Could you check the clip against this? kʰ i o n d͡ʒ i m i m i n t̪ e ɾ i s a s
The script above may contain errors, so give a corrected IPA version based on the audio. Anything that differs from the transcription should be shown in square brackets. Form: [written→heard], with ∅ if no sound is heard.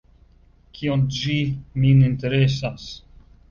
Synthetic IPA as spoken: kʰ i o n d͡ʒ i m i [m→n] i n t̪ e ɾ [i→e] s a s

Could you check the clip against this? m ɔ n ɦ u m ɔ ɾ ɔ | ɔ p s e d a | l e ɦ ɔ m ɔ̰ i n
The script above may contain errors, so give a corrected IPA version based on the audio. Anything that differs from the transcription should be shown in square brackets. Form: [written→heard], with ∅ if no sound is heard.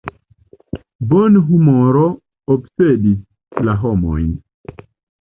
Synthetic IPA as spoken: [m→b] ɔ n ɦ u m ɔ ɾ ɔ | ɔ p s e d [a→i] | l [e→a] ɦ ɔ m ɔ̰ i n

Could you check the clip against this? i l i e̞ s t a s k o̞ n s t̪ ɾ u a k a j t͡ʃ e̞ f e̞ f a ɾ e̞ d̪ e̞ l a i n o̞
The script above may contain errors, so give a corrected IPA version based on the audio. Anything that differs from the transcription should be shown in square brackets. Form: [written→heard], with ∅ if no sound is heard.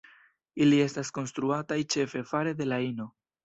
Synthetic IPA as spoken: i l i e̞ s t a s k o̞ n s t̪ ɾ u a [k→t] a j t͡ʃ e̞ f e̞ f a ɾ e̞ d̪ e̞ l a i n o̞

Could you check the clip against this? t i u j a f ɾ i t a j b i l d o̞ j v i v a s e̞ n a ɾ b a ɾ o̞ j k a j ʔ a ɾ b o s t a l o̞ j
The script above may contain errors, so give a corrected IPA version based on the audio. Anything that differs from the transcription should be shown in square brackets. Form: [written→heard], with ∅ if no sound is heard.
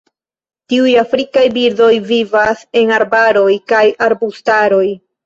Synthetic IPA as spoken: t i u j a f ɾ i [t→k] a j b i [l→ɾ] d o̞ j v i v a s e̞ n a ɾ b a ɾ o̞ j k a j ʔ a ɾ b [o→u] s t a [l→ɾ] o̞ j

